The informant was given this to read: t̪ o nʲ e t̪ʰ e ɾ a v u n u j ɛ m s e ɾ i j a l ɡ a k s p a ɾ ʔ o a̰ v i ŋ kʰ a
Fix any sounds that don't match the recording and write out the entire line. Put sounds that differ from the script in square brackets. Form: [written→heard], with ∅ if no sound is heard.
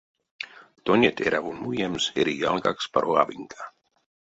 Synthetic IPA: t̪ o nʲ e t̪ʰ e ɾ a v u n u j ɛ m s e ɾ i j a l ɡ a k s p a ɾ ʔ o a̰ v i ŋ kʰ a